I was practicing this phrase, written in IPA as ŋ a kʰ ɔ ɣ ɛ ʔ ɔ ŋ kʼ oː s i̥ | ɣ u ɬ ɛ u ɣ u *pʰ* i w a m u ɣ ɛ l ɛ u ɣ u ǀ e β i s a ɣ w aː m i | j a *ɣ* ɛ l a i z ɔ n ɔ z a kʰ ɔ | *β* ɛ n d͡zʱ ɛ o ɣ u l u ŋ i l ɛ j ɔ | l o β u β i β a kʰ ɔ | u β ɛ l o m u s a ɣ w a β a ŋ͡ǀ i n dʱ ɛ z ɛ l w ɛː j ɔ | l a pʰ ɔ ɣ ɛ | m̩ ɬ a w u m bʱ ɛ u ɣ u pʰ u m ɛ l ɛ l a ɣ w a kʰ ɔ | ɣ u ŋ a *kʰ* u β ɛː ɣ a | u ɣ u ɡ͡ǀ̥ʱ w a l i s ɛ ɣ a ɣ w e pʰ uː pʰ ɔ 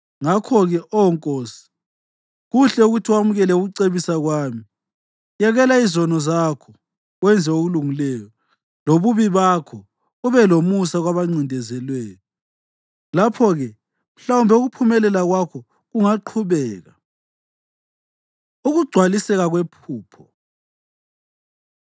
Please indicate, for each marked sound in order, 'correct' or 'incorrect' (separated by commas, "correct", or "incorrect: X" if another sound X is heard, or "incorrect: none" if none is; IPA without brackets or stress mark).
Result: incorrect: tʰ, correct, incorrect: w, incorrect: ǃʰ